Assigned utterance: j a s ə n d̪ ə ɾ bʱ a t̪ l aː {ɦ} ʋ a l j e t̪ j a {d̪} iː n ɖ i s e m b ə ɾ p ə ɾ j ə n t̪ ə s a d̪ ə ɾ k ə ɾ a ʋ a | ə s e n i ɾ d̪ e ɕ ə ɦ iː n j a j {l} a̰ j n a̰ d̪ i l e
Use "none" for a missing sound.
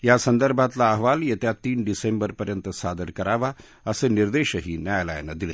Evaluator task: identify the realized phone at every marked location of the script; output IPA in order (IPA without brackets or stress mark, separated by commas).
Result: ɦ, t̪, l